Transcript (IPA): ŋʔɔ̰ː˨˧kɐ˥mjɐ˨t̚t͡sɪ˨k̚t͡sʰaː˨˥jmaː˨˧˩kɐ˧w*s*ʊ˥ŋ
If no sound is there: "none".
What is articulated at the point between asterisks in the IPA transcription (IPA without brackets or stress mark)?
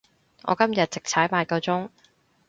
t͡s